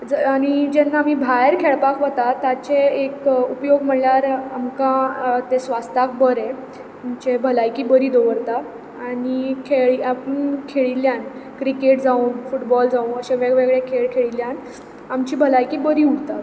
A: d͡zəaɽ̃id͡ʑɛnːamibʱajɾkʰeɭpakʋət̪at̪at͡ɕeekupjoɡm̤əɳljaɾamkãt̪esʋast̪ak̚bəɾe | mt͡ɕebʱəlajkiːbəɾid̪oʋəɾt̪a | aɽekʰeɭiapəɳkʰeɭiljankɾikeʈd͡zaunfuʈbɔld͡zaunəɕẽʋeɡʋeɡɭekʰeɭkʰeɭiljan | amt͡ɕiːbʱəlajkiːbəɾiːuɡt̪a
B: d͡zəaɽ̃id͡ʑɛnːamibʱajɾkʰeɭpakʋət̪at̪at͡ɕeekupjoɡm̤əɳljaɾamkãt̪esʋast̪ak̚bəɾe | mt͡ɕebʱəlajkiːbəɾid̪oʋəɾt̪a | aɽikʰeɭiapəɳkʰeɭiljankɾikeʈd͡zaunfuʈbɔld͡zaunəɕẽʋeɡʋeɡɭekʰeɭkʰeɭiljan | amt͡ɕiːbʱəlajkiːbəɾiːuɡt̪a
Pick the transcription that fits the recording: B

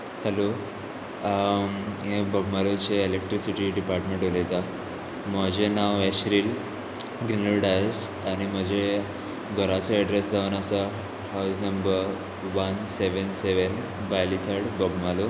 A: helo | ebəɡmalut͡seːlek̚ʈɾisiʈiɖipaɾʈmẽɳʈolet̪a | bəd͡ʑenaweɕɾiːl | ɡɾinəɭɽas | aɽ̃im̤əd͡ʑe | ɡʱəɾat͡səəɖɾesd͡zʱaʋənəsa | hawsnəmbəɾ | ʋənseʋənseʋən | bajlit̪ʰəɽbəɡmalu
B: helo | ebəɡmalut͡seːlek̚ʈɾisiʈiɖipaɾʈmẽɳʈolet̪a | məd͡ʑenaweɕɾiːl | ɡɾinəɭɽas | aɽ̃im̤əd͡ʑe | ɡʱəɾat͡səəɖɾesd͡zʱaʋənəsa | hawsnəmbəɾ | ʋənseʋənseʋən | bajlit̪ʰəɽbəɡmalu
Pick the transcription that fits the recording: B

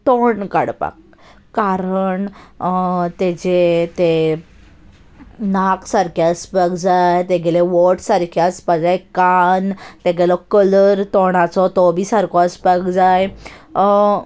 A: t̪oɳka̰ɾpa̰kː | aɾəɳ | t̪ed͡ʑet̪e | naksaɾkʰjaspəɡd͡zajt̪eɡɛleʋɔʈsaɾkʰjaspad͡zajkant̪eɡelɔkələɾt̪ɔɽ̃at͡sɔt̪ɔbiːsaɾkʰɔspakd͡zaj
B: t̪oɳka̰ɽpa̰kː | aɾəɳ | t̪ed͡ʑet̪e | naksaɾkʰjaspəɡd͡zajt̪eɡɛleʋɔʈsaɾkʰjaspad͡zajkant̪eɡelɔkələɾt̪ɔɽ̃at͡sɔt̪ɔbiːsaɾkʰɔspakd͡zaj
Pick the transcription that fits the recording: B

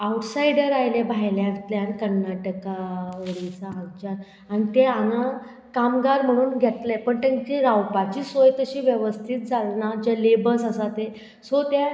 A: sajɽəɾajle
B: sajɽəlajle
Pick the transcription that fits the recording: A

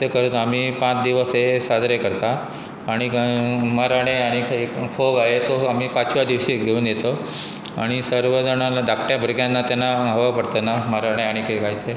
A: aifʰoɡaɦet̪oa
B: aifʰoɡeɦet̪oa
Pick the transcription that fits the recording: A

